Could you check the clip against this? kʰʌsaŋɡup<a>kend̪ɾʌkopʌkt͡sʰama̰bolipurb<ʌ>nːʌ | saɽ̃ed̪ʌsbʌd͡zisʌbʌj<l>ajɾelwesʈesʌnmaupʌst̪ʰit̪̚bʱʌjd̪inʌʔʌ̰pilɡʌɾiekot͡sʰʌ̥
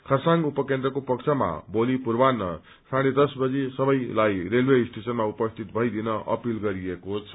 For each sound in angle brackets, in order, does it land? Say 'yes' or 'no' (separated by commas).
no, no, yes